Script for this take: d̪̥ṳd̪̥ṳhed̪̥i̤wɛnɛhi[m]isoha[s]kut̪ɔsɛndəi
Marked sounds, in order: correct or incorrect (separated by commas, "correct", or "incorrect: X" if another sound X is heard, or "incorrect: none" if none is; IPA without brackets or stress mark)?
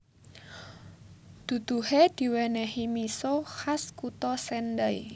correct, correct